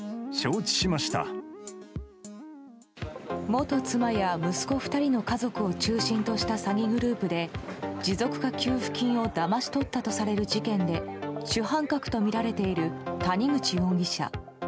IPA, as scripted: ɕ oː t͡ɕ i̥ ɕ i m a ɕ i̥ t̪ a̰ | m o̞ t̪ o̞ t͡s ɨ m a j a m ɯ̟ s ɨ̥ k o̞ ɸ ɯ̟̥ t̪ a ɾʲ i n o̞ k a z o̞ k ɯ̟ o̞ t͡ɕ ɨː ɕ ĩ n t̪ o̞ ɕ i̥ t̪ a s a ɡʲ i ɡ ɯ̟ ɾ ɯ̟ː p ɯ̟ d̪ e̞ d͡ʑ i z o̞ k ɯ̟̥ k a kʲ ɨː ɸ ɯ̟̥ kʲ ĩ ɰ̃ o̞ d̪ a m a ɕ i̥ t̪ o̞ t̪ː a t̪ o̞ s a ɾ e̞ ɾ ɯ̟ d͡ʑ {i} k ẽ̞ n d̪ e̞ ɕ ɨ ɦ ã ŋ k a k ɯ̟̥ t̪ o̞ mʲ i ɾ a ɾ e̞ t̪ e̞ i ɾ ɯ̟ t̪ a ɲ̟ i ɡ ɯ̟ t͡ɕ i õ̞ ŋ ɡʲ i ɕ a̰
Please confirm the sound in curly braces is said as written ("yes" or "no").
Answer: yes